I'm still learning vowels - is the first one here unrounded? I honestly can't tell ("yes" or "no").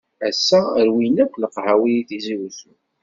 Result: yes